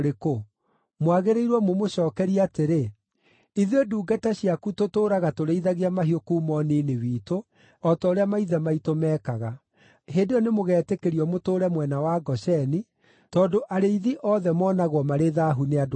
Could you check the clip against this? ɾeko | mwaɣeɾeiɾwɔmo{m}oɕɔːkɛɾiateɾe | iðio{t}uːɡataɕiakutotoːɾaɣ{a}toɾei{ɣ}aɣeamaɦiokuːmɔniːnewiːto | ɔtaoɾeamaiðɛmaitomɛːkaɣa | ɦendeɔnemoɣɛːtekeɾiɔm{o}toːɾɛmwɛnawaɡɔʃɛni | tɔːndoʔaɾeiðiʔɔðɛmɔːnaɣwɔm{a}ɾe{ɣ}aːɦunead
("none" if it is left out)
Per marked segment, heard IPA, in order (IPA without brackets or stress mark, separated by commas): m, d, a, ð, o, a, ð